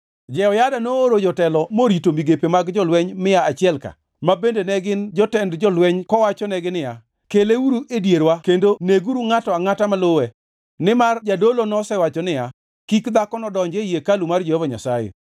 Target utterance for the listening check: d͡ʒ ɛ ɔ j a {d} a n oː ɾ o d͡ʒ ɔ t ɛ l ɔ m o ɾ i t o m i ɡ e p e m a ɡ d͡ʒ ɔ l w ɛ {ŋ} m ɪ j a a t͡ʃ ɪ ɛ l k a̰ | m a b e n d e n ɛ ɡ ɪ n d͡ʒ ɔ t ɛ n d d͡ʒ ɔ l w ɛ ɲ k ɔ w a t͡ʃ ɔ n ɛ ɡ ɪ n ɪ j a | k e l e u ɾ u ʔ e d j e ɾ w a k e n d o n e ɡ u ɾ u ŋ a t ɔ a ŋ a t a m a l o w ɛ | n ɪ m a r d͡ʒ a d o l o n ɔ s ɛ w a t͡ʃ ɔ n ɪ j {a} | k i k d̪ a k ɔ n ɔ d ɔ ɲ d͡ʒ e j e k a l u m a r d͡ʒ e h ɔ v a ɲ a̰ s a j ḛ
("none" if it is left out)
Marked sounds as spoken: d, ɲ, a

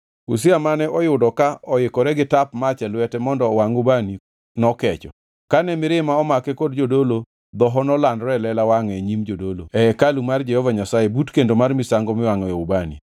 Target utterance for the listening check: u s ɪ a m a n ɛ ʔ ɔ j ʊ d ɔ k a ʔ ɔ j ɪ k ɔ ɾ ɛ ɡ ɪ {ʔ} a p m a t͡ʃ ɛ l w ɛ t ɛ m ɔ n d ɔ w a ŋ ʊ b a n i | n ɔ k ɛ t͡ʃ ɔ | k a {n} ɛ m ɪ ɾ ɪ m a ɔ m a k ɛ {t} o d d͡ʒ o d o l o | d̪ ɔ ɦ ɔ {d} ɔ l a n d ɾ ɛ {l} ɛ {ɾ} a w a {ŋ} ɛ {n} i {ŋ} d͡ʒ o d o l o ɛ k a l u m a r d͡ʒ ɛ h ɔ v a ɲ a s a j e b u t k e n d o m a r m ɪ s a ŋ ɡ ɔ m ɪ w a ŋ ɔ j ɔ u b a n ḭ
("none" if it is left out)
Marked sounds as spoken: t, n, k, n, l, l, ŋ, ɲ, m

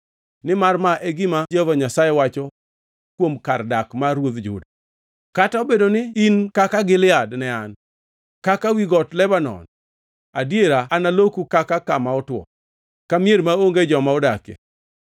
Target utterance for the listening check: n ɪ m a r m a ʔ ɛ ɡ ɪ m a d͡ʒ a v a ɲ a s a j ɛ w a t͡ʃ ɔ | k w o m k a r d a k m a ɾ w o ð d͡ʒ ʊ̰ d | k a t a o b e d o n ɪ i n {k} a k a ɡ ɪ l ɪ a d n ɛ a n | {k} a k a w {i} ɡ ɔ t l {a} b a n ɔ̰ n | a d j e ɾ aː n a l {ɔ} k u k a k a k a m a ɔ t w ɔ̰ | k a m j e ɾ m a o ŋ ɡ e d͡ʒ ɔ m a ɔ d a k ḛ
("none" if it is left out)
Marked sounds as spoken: k, k, i, ɛ, o

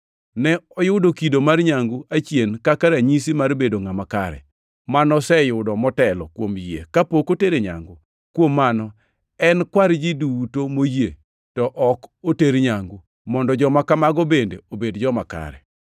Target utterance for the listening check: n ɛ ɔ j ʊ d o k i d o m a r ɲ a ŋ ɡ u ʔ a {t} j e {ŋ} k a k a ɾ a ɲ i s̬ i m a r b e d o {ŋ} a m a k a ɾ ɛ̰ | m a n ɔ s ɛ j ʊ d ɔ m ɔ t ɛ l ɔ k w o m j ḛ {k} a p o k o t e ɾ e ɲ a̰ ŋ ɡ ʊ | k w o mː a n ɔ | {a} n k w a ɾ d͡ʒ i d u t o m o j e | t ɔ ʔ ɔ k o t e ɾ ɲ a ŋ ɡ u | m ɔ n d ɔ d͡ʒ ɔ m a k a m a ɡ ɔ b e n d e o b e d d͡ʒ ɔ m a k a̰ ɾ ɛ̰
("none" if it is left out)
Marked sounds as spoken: t͡ʃ, n, ŋ, k, ɛ

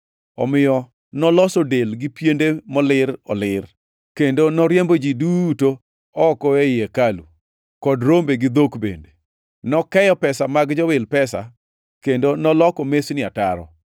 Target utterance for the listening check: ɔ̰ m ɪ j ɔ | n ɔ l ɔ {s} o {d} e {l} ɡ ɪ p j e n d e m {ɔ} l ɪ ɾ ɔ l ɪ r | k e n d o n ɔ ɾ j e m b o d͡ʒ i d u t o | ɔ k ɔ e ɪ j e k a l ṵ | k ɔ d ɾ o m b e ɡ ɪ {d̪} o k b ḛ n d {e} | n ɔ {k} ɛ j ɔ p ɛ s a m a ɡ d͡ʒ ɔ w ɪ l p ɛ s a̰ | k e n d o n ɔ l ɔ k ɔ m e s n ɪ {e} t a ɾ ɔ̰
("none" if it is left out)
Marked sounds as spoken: s, d, l, ɔ, d̪, e, k, a

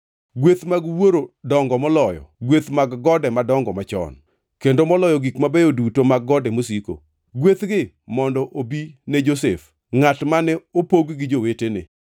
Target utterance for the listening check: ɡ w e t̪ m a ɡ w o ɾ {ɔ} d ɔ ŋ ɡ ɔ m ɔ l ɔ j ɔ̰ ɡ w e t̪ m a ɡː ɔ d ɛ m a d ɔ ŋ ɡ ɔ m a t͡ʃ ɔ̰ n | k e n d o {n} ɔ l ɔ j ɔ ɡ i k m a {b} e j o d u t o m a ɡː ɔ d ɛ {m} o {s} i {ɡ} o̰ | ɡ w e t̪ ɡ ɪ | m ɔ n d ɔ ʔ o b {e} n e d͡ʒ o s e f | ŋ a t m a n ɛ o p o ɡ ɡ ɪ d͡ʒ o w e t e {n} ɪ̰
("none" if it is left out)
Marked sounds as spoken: o, m, b, m, s, k, i, n

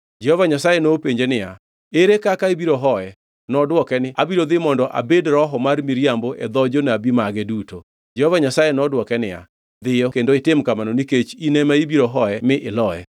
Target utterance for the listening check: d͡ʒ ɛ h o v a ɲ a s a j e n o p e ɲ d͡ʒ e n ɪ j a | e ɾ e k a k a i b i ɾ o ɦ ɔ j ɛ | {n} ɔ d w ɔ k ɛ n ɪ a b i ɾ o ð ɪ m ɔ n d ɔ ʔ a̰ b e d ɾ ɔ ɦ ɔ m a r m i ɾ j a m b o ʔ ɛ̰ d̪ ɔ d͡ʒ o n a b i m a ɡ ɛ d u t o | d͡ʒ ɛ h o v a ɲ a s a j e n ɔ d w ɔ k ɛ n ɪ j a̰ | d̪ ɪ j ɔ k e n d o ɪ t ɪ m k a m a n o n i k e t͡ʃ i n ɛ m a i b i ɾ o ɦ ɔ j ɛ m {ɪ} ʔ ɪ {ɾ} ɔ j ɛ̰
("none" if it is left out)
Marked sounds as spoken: n, ɪ, l

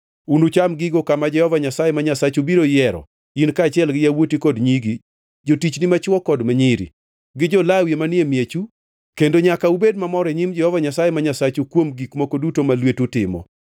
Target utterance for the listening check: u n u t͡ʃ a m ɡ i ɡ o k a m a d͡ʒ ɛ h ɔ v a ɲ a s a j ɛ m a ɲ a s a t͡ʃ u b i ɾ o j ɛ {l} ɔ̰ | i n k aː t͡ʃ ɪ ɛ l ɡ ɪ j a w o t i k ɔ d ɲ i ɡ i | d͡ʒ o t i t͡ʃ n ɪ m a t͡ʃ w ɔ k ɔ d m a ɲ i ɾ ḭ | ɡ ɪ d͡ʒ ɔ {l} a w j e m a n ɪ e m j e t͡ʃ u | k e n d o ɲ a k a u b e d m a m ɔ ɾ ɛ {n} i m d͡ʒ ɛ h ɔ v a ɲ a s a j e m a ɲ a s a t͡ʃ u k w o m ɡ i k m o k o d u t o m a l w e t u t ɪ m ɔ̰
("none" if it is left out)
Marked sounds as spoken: ɾ, l, ɲ

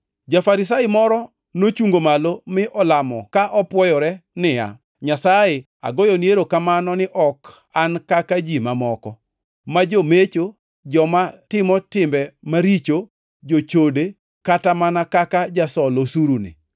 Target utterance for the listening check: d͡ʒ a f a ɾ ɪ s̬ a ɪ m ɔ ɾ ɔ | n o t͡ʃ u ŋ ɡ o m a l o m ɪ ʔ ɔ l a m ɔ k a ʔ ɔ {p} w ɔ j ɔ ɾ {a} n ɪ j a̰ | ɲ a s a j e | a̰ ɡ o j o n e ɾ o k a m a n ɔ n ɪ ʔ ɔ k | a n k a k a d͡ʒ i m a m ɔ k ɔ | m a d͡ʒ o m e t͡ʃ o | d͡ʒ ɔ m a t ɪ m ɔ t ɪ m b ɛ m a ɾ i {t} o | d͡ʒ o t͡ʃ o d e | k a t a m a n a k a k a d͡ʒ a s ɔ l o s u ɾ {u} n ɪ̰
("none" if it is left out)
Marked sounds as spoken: p, ɛ, t͡ʃ, u

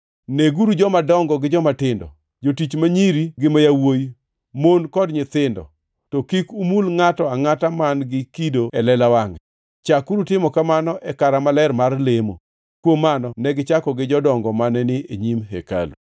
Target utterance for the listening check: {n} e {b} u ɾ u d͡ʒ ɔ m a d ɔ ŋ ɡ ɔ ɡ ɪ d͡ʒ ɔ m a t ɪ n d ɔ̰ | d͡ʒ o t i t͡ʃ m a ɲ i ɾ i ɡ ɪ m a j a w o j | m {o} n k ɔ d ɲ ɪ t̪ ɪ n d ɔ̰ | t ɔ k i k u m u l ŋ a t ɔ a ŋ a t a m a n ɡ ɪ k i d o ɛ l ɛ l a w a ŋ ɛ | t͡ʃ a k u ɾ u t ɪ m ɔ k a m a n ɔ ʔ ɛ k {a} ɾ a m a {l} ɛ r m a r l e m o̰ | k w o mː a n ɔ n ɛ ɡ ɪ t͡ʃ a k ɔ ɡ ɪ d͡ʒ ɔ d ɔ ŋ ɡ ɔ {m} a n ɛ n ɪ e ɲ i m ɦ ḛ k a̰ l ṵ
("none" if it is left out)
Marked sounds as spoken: n, ɡ, o, a, l, m

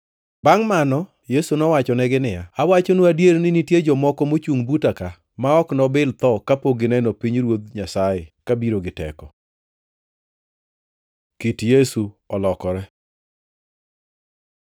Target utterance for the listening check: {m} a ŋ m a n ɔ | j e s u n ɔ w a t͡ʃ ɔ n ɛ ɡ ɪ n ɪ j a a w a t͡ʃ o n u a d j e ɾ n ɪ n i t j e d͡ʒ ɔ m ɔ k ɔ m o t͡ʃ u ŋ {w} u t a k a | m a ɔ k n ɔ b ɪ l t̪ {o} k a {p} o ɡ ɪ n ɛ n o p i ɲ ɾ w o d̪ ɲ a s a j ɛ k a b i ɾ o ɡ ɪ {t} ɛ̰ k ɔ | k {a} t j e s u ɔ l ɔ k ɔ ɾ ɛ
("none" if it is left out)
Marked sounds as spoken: b, b, ɔ, p, t, i

